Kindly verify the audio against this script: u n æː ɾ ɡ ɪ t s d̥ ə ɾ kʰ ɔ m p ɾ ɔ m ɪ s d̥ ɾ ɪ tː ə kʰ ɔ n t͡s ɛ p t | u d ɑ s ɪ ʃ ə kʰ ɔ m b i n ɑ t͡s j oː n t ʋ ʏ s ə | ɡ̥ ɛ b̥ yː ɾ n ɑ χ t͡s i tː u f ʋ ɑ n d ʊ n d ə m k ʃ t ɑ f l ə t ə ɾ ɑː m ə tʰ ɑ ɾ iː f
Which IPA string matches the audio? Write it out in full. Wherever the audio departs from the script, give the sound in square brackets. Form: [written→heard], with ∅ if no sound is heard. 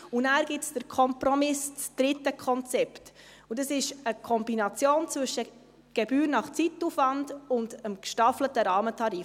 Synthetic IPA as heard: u n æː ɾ ɡ ɪ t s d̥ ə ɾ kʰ ɔ m p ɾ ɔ m ɪ s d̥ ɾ ɪ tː ə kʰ ɔ n t͡s ɛ p t | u d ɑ s ɪ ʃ ə kʰ ɔ m b i n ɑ t͡s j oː n [t→t͡s] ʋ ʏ [s→ʃ] ə | ɡ̥ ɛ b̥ yː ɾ n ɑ χ t͡s i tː u f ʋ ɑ n d ʊ n d ə m k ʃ t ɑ f l ə t ə ɾ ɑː m ə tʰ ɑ ɾ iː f